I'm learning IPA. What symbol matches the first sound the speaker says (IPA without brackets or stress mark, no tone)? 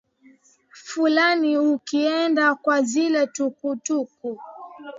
f